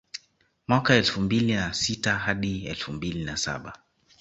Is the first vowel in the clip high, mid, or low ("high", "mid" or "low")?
low